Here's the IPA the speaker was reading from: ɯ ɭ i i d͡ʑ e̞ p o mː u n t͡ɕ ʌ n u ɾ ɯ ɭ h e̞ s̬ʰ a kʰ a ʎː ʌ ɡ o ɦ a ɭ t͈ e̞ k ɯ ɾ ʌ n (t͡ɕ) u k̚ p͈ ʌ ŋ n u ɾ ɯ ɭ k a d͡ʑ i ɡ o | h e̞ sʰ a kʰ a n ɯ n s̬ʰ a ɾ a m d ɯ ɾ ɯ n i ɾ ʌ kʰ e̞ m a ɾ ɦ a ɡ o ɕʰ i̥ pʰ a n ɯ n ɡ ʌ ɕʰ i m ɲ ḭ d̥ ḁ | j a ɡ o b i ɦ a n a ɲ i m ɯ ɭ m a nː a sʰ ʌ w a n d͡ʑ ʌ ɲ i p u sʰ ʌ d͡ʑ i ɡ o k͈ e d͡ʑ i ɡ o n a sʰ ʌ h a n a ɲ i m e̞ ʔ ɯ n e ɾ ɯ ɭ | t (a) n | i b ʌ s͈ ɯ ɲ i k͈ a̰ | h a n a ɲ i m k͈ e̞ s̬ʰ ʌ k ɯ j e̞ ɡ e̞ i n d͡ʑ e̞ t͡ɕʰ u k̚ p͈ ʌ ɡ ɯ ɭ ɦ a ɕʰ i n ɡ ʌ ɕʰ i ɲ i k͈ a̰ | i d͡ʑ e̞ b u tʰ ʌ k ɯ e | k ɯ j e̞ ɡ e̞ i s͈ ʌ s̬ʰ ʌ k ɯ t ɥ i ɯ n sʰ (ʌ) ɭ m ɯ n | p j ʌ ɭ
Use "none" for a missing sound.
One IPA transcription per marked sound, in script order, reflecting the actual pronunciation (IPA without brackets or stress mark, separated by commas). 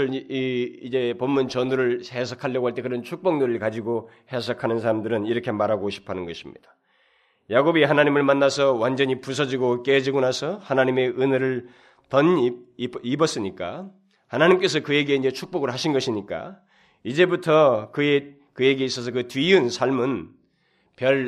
t͡ɕʰ, ʌ, a